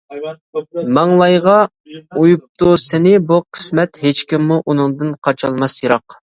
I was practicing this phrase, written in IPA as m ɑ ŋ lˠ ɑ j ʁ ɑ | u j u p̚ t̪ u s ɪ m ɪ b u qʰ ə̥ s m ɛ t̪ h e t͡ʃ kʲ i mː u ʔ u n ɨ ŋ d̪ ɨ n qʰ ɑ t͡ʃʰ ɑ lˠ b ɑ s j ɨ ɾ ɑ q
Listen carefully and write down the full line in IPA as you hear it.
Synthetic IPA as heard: m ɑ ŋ lˠ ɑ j ʁ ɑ | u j u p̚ t̪ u s ɪ n ɪ b u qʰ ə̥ s m ɛ t̪ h e t͡ʃ kʲ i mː u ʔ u n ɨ ŋ d̪ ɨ n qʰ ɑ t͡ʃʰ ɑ lˠ m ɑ s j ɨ ɾ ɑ q